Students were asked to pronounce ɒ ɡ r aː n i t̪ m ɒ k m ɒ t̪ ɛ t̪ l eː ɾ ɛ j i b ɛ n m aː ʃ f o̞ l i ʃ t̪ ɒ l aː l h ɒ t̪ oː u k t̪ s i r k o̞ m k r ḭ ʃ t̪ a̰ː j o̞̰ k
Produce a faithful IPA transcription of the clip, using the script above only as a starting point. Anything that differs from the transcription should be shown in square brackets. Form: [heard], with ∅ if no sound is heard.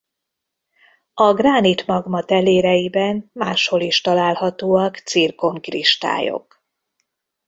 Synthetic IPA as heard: ɒ ɡ r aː n i t̪ m ɒ [ɡ] m ɒ t̪ ɛ [∅] l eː ɾ ɛ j i b ɛ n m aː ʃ [h] o̞ l i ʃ t̪ ɒ l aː l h ɒ t̪ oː [ɒ] k t̪ s i r k o̞ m k r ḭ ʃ t̪ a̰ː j o̞̰ k